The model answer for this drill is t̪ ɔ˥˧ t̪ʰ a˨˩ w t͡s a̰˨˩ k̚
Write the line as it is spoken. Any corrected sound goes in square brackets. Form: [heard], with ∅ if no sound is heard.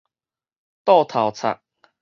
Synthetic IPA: t̪ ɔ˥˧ t̪ʰ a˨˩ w [t͡sʰ] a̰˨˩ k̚